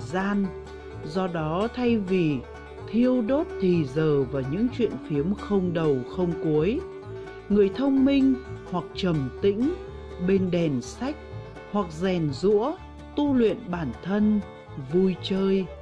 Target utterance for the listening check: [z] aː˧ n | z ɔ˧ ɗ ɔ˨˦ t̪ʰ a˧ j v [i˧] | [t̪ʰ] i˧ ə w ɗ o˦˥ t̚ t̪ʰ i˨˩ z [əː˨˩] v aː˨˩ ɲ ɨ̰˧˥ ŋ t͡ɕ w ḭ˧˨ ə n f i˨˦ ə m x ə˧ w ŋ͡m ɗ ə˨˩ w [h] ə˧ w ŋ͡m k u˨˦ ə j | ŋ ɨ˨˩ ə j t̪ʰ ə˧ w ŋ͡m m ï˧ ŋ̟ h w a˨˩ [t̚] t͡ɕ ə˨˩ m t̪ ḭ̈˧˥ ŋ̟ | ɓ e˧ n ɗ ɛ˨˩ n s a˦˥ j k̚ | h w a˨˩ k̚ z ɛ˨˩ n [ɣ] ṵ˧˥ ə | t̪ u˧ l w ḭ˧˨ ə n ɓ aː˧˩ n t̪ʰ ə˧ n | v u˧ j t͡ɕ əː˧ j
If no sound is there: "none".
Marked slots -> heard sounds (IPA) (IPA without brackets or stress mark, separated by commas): z, i˨˩, t̪ʰ, əː˨˩, x, k̚, z